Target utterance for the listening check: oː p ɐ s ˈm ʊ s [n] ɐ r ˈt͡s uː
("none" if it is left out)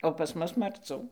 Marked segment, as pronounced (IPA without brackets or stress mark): m